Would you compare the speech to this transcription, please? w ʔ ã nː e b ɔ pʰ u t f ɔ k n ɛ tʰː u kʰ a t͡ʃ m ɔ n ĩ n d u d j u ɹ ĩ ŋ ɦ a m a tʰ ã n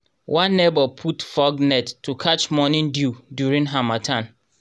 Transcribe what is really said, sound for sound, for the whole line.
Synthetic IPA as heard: w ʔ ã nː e b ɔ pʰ u t f ɔ ɡ n ɛ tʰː u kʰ a t͡ʃ m ɔ n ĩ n d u d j u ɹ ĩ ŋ ɦ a m a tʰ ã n